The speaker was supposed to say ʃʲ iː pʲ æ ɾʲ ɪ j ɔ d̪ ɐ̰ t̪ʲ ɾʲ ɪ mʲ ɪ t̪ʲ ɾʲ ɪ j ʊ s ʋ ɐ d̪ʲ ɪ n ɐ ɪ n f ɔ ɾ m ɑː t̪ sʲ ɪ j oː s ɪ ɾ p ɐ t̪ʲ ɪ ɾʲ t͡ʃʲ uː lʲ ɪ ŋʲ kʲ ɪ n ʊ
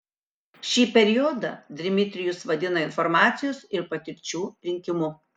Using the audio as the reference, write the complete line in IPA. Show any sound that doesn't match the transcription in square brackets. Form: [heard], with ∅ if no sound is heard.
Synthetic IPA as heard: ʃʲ iː pʲ [ɛ] ɾʲ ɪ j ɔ d̪ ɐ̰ [d̪ʲ] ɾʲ ɪ mʲ ɪ t̪ʲ ɾʲ ɪ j ʊ s ʋ ɐ d̪ʲ ɪ n ɐ ɪ n f ɔ ɾ m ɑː t̪ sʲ ɪ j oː s ɪ ɾ p ɐ t̪ʲ ɪ ɾʲ t͡ʃʲ uː [ɾʲ] ɪ ŋʲ kʲ ɪ [m] ʊ